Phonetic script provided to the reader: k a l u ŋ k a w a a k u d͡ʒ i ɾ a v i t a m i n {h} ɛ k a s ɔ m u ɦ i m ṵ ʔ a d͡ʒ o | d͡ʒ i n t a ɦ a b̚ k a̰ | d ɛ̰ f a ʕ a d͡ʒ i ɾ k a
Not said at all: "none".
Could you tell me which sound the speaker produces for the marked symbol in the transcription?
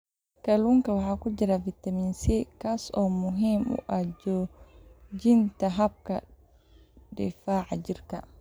s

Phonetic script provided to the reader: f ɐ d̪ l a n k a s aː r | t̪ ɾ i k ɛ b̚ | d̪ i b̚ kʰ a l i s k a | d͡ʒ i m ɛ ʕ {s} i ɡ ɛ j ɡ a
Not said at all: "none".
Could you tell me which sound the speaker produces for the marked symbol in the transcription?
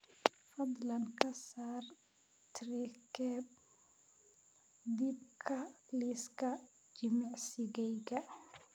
s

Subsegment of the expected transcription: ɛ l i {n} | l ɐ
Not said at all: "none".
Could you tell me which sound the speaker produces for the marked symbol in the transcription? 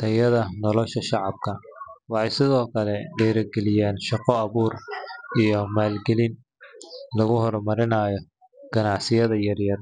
n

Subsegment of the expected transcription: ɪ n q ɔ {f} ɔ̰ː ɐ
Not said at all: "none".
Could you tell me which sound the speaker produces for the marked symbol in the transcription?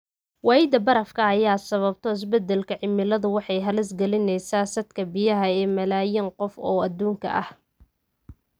f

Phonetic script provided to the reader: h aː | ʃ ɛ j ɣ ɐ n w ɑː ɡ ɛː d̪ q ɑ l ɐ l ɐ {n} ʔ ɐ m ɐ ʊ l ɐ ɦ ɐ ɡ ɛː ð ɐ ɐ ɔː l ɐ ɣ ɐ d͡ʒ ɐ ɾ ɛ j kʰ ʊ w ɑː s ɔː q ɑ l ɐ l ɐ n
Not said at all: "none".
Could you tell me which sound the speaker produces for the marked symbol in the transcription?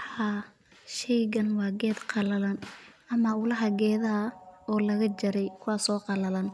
n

